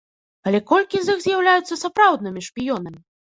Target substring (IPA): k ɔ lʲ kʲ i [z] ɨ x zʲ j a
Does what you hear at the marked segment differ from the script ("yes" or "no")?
no